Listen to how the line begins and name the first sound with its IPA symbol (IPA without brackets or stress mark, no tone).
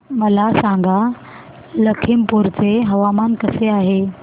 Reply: m